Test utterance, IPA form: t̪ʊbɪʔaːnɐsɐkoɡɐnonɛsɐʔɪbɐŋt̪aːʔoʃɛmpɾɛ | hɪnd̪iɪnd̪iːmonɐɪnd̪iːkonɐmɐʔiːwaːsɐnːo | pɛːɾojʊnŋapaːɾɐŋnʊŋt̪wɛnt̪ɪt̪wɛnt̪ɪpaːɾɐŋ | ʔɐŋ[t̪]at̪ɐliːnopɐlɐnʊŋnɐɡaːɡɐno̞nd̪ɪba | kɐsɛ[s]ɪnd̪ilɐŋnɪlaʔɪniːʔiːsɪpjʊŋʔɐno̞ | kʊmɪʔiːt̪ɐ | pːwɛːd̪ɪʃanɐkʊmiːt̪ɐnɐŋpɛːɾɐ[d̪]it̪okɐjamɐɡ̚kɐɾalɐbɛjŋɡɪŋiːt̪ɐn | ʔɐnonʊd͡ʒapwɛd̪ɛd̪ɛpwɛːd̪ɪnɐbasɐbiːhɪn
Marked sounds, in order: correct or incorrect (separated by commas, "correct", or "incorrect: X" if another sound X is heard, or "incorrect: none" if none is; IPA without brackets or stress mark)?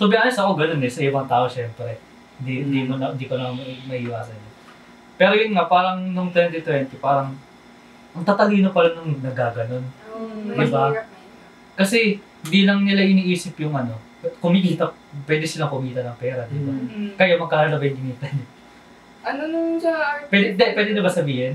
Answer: correct, incorrect: h, correct